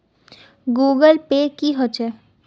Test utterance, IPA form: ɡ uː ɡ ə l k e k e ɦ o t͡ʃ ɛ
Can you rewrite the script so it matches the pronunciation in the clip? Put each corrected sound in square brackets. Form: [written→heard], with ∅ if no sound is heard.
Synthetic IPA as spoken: ɡ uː ɡ ə l [k→p] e k [e→i] ɦ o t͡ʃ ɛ